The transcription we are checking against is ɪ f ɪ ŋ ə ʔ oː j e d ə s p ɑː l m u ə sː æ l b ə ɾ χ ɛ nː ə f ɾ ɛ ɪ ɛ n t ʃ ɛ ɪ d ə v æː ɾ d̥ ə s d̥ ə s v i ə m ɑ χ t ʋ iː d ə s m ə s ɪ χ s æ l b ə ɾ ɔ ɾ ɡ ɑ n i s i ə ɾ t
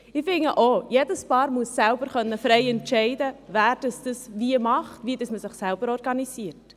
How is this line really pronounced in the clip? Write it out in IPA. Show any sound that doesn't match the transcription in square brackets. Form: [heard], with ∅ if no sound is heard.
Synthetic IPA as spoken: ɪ f ɪ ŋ ə ʔ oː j e d ə s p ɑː [ɾ] m u ə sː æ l b ə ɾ χ [œ] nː ə f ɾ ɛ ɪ ɛ n t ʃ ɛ ɪ d ə v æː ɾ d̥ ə s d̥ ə s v i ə m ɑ χ t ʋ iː d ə s m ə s ɪ χ s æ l b ə ɾ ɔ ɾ ɡ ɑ n i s i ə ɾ t